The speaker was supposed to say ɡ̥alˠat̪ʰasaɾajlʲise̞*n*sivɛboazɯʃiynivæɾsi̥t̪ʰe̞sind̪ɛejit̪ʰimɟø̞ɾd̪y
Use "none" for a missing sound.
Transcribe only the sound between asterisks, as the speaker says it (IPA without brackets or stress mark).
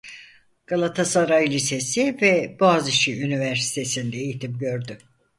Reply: none